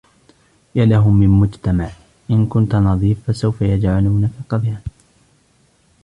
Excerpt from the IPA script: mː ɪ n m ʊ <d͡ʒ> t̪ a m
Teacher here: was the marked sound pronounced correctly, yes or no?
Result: yes